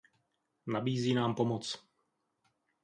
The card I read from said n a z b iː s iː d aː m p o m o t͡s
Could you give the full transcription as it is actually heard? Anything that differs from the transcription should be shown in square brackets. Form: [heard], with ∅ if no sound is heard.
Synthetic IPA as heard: n a [∅] b iː [z] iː [n] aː m p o m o t͡s